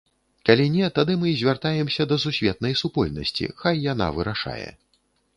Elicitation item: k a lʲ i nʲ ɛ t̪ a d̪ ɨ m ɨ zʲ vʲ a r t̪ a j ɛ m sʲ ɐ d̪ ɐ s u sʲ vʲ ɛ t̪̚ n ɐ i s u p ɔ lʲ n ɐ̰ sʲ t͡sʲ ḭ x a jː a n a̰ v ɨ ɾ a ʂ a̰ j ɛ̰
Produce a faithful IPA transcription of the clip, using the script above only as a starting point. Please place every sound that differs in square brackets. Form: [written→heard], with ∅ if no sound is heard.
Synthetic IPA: k a lʲ i nʲ ɛ t̪ a d̪ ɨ m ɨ zʲ vʲ a r t̪ a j ɛ m sʲ ɐ d̪ ɐ s u sʲ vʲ ɛ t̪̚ n ɐ [i→j] s u p ɔ lʲ n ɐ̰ sʲ t͡sʲ ḭ x a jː a n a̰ v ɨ ɾ a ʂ a̰ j ɛ̰